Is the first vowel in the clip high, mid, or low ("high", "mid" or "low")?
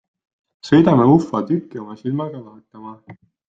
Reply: mid